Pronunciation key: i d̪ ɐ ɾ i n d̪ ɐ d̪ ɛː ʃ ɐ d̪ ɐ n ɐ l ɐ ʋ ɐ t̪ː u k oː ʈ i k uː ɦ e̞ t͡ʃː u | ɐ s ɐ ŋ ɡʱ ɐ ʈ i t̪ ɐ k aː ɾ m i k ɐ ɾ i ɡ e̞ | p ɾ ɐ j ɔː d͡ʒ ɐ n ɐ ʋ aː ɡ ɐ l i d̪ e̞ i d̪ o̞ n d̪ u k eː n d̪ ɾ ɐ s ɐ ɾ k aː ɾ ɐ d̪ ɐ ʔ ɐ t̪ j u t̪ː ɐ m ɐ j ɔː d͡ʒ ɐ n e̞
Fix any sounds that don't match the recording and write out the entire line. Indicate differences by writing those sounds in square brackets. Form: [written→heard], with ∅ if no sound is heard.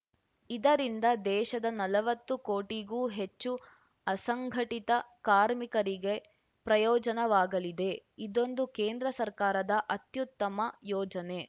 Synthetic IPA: i d̪ ɐ ɾ i n d̪ ɐ d̪ ɛː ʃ ɐ d̪ ɐ n ɐ l ɐ ʋ ɐ t̪ː u k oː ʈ i [k→ɡ] uː ɦ e̞ t͡ʃː u | ɐ s ɐ ŋ ɡʱ ɐ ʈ i t̪ ɐ k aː ɾ m i k ɐ ɾ i ɡ e̞ | p ɾ ɐ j ɔː d͡ʒ ɐ n ɐ ʋ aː ɡ ɐ l i d̪ e̞ i d̪ o̞ n d̪ u k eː n d̪ ɾ ɐ s ɐ ɾ k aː ɾ ɐ d̪ ɐ ʔ ɐ t̪ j u t̪ː ɐ m ɐ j ɔː d͡ʒ ɐ n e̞